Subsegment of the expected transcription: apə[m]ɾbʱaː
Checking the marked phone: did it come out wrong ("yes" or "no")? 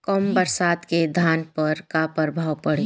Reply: yes